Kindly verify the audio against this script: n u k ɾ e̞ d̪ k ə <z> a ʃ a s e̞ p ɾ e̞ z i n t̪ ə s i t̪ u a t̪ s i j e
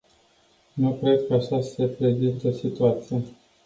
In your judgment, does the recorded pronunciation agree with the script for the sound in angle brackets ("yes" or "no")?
no